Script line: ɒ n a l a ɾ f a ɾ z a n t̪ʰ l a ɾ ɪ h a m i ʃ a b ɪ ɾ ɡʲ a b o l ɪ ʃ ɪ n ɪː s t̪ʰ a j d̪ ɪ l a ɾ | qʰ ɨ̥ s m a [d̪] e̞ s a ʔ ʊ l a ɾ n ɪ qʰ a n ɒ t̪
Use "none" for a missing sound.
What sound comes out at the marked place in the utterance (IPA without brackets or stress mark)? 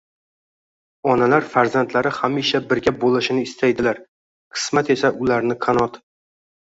t̪